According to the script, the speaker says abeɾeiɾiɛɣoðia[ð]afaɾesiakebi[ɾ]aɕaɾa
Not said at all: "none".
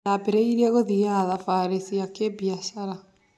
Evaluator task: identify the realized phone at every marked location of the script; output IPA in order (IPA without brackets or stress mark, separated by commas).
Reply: ð, none